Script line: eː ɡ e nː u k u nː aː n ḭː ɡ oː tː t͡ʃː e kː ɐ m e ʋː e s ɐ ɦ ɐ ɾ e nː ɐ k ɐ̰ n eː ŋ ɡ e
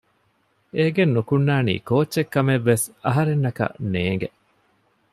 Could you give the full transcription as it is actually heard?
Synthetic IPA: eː ɡ e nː u k u nː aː n ḭː k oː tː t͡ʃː e kː ɐ m e ʋː e s ɐ ɦ ɐ ɾ e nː ɐ k ɐ̰ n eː ŋ ɡ e